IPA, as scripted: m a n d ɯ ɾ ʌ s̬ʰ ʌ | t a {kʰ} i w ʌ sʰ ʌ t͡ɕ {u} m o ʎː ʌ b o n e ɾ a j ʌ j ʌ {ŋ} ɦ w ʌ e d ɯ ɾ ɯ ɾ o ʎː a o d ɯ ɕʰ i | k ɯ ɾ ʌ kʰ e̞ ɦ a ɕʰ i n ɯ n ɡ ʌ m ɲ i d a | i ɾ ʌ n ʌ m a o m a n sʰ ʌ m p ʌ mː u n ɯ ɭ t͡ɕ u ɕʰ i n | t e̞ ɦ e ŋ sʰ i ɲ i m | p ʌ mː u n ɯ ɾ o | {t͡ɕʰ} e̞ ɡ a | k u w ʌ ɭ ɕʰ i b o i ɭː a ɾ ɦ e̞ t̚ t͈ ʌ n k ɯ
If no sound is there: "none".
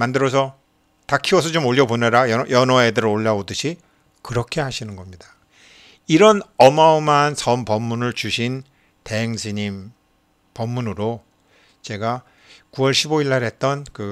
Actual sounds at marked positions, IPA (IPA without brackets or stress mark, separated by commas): kʰ, o, n, t͡ɕ